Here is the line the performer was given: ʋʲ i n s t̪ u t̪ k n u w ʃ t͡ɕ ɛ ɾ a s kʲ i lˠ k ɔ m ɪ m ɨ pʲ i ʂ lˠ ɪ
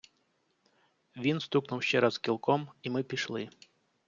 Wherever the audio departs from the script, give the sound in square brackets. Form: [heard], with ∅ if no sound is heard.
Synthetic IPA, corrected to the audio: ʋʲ i n s t̪ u [∅] k n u w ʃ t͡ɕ ɛ ɾ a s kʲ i lˠ k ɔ m [i] m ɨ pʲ i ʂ lˠ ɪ